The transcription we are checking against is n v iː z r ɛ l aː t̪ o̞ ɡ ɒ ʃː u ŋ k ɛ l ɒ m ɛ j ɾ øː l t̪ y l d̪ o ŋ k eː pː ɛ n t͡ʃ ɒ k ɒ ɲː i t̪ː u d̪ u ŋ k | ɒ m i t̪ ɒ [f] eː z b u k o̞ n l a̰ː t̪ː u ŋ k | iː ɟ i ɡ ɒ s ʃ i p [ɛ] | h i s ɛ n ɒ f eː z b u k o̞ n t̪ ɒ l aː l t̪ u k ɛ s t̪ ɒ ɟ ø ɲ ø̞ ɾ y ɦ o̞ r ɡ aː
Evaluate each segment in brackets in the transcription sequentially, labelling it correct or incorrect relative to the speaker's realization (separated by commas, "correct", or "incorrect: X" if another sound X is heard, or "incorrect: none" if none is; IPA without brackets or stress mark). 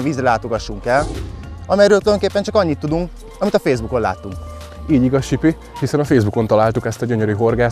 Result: correct, incorrect: i